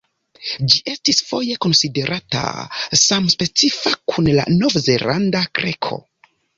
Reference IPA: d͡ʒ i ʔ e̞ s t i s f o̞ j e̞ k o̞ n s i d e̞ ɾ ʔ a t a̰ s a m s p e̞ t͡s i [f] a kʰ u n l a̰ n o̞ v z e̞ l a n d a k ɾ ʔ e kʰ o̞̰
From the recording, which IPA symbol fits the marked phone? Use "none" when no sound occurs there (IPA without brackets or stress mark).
f